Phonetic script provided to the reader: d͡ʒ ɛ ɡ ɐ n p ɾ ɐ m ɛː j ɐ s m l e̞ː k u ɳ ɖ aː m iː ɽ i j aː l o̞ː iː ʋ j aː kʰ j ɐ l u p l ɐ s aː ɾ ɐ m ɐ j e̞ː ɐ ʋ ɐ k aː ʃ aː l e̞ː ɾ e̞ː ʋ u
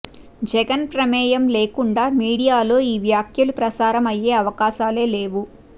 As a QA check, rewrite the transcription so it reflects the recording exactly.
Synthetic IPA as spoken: d͡ʒ ɛ ɡ ɐ n p ɾ ɐ m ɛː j ɐ m l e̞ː k u ɳ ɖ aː m iː ɽ i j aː l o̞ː iː ʋ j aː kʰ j ɐ l u p ɾ ɐ s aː ɾ ɐ m ɐ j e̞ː ɐ ʋ ɐ k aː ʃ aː l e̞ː l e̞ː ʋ u